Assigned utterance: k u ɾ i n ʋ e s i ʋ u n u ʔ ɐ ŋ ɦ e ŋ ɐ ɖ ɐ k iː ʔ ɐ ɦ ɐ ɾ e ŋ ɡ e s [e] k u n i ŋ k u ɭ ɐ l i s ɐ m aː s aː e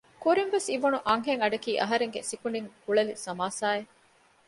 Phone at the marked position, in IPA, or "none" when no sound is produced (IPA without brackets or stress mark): i